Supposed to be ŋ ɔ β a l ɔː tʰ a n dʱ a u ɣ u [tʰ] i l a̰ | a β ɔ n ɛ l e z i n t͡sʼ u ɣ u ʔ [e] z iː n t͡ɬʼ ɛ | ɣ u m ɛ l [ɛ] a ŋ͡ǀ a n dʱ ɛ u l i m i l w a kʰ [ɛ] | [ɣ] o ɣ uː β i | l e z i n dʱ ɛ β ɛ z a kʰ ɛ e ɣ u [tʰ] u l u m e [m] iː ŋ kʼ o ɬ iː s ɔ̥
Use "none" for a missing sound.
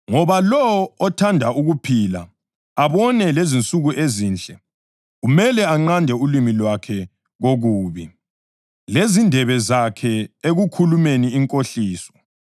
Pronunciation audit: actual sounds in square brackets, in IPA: pʰ, e, ɛ, ɛ, ɣ, kʰ, n

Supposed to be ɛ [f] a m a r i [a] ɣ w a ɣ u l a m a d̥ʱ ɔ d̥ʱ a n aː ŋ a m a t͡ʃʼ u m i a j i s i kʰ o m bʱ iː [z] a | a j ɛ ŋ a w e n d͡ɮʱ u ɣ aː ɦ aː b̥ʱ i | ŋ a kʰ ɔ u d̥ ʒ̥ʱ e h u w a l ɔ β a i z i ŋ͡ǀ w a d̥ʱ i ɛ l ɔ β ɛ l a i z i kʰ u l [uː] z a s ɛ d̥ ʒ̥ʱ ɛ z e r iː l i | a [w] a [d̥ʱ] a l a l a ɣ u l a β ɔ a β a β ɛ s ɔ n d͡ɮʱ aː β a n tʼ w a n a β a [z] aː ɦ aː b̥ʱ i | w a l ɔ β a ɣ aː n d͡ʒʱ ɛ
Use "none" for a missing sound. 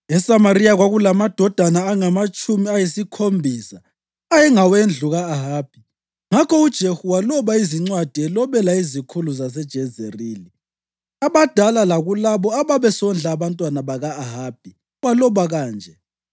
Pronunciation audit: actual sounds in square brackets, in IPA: s, a, s, u, β, d̥ʱ, ɣ

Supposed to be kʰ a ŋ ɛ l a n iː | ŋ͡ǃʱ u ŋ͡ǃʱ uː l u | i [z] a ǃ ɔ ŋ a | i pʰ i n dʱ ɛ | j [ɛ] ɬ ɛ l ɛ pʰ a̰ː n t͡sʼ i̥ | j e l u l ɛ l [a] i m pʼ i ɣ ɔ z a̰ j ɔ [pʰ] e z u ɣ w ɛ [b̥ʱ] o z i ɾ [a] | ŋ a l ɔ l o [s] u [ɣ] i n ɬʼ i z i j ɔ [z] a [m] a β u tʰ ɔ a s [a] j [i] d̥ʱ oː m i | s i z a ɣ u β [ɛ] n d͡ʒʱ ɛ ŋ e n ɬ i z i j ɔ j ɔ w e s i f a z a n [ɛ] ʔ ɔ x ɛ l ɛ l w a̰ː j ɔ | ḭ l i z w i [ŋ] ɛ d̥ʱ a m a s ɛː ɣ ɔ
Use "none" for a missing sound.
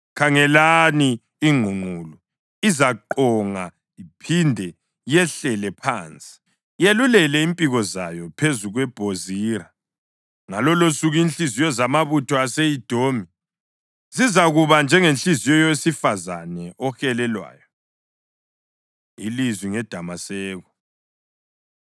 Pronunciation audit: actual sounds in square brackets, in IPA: z, ɛ, ɛ, pʰ, b̥ʱ, a, s, ɣ, z, m, e, i, a, ɛ, ŋ

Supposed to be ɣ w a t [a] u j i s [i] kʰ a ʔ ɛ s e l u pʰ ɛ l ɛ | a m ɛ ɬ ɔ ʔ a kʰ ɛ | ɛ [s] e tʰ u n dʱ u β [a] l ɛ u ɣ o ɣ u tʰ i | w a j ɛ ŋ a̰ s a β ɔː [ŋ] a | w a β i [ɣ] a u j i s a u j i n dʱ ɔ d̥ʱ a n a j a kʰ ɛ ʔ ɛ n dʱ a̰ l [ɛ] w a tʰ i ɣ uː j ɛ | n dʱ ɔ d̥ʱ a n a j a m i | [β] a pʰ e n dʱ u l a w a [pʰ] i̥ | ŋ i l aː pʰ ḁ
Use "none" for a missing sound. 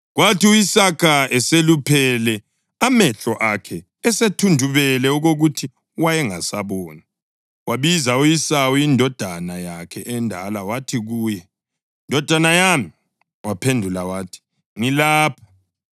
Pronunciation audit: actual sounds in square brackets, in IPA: i, a, s, ɛ, n, z, a, w, tʰ

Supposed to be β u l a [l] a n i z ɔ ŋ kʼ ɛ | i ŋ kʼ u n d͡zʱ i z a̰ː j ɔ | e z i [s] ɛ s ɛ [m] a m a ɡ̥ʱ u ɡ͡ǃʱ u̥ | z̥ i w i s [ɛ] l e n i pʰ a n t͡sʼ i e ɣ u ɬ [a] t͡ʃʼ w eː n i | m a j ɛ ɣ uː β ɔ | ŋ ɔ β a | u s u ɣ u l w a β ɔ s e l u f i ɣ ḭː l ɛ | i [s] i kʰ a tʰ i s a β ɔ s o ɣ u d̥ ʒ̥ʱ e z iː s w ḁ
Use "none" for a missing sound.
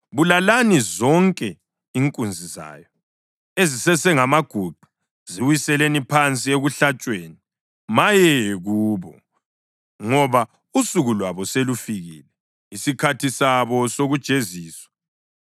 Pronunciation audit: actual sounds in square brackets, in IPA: l, s, ŋ, ɛ, a, s

